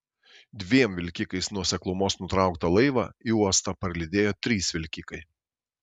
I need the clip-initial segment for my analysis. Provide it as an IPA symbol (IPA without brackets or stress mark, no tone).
d̪ʲ